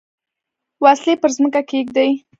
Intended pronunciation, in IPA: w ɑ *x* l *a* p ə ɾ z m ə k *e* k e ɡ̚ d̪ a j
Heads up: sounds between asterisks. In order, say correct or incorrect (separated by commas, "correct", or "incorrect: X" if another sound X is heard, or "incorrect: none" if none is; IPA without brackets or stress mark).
incorrect: s, incorrect: e, incorrect: a